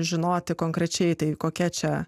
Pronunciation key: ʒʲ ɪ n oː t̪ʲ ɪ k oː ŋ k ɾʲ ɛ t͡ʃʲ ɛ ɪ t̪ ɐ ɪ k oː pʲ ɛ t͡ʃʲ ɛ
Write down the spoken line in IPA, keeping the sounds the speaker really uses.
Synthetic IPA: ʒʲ ɪ n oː t̪ʲ ɪ k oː ŋ k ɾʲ ɛ t͡ʃʲ ɛ ɪ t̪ ɐ ɪ k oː kʲ ɛ t͡ʃʲ ɛ

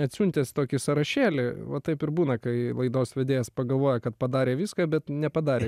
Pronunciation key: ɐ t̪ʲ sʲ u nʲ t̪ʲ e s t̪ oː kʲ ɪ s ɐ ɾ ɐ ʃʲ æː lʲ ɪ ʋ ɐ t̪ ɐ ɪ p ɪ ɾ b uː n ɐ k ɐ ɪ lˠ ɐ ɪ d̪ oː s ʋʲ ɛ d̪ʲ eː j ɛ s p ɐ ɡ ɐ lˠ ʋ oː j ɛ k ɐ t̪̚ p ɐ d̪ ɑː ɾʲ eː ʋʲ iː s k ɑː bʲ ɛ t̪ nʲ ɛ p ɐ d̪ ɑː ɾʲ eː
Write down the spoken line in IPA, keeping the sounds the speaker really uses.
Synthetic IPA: ɐ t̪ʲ sʲ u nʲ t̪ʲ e s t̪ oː kʲ ɪ s ɐ ɾ ɐ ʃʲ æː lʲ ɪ ʋ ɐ t̪ ɐ ɪ p ɪ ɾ b uː n ɐ k ɐ ɪ lˠ ɐ ɪ d̪ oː s ʋʲ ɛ d̪ʲ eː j ɛ s p ɐ ɡ ɐ lˠ ʋ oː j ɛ k ɐ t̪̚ p ɐ d̪ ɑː ɾʲ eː ʋʲ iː s k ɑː bʲ ɛ t̪ nʲ ɛ p ɐ d̪ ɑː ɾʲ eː

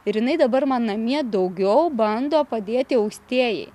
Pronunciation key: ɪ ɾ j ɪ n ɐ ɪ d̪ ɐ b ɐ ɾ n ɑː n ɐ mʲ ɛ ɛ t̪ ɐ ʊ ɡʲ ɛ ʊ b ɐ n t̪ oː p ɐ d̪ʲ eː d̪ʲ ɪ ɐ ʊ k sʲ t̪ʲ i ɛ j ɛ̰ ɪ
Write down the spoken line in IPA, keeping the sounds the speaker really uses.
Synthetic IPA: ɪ ɾ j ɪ n ɐ ɪ d̪ ɐ b ɐ ɾ m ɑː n ɐ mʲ i ɛ d̪ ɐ ʊ ɡʲ ɛ ʊ b ɐ n d̪ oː p ɐ d̪ʲ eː t̪ʲ ɪ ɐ ʊ k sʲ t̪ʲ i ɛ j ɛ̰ ɪ

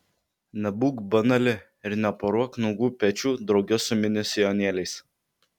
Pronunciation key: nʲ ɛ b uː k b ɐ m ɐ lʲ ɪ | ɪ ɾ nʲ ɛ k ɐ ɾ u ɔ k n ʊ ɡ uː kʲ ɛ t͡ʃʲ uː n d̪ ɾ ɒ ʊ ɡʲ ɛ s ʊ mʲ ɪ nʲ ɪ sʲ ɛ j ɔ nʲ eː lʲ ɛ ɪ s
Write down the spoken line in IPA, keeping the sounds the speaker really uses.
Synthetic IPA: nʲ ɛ b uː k b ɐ n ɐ lʲ ɪ | ɪ ɾ nʲ ɛ p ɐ ɾ u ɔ k n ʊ ɡ uː pʲ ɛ t͡ʃʲ uː d̪ ɾ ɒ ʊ ɡʲ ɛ s ʊ mʲ ɪ nʲ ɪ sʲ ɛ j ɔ nʲ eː lʲ ɛ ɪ s

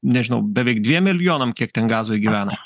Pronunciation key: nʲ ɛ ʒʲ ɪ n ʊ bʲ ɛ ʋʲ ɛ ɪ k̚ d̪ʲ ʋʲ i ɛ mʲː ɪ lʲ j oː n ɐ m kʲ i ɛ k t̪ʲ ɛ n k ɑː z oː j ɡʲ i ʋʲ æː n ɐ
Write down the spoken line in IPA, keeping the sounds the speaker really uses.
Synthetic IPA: nʲ ɛ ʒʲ ɪ n ʊ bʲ ɛ ʋʲ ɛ ɪ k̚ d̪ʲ ʋʲ i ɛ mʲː ɪ lʲ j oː n ɐ m kʲ i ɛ k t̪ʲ ɛ n ɡ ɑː z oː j ɡʲ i ʋʲ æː n ɐ

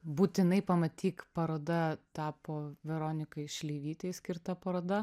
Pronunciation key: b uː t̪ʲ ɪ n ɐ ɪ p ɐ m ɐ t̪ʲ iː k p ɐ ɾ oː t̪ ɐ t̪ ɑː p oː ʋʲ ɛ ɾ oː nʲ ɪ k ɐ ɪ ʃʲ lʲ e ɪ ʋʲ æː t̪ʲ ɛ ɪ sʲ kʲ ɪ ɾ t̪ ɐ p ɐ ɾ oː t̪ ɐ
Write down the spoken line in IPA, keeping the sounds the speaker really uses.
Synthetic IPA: b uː t̪ʲ ɪ n ɐ ɪ p ɐ m ɐ t̪ʲ iː k p ɐ ɾ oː d̪ ɐ t̪ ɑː p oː ʋʲ ɛ ɾ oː nʲ ɪ k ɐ ɪ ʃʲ lʲ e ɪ ʋʲ iː t̪ʲ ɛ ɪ sʲ kʲ ɪ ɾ t̪ ɐ p ɐ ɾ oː d̪ ɐ

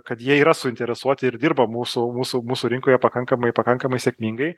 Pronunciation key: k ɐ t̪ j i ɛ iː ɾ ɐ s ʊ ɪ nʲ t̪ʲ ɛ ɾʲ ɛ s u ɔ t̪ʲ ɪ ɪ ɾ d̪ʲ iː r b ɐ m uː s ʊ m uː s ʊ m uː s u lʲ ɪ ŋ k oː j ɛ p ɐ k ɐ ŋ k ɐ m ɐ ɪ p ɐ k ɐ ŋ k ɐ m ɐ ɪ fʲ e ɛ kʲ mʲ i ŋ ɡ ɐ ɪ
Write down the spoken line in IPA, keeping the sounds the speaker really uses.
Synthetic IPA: k ɐ t̪ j i ɛ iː ɾ ɐ s ʊ ɪ nʲ t̪ʲ ɛ ɾʲ ɛ s u ɔ t̪ʲ ɪ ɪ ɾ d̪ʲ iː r b ɐ m uː s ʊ m uː s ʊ m uː s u ɾʲ ɪ ŋ k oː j ɛ p ɐ k ɐ ŋ k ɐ m ɐ ɪ p ɐ k ɐ ŋ k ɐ m ɐ ɪ sʲ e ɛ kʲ mʲ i ŋ ɡ ɐ ɪ

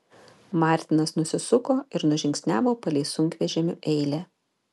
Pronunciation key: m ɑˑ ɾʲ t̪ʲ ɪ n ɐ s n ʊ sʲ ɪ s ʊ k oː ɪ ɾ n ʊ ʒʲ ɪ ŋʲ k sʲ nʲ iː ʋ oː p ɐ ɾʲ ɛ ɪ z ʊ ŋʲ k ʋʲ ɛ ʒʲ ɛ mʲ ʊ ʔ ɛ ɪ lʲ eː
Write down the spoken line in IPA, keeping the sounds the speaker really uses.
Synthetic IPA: m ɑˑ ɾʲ t̪ʲ ɪ n ɐ s n ʊ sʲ ɪ s ʊ k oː ɪ ɾ n ʊ ʒʲ ɪ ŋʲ k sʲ nʲ æː ʋ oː p ɐ lʲ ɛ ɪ s ʊ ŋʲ k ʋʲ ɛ ʒʲ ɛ mʲ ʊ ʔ ɛ ɪ lʲ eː

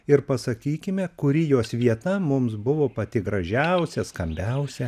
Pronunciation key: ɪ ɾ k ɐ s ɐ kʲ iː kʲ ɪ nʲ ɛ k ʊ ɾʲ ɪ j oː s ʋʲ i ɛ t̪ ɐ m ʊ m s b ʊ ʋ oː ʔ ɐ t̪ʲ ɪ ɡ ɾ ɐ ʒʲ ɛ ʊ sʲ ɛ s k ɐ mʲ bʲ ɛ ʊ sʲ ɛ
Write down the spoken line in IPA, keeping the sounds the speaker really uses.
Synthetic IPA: ɪ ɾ p ɐ s ɐ kʲ iː kʲ ɪ mʲ ɛ k ʊ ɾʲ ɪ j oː s ʋʲ i ɛ t̪ ɐ m ʊ m s b ʊ ʋ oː p ɐ t̪ʲ ɪ ɡ ɾ ɐ ʒʲ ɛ ʊ sʲ ɛ s k ɐ mʲ bʲ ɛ ʊ sʲ ɛ

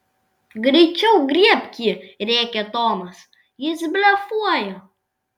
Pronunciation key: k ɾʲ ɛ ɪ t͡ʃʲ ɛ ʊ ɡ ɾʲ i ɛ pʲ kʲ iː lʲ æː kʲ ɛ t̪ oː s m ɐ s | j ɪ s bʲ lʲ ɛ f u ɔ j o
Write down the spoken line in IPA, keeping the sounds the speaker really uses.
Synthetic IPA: ɡ ɾʲ ɛ ɪ t͡ʃʲ ɛ ʊ ɡ ɾʲ i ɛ pʲ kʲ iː ɾʲ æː kʲ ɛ t̪ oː m ɐ s | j ɪ s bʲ lʲ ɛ f u ɔ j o

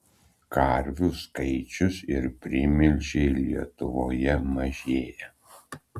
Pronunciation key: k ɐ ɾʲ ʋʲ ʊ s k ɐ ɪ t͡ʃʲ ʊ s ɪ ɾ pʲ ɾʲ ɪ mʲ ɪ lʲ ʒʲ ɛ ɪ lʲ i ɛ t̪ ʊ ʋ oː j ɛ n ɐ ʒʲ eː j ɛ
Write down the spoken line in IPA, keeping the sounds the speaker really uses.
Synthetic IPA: k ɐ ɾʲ ʋʲ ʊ s k ɐ ɪ t͡ʃʲ ʊ s ɪ ɾ pʲ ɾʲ ɪ mʲ ɪ lʲ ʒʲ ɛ ɪ lʲ i ɛ t̪ ʊ ʋ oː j ɛ m ɐ ʒʲ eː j ɛ

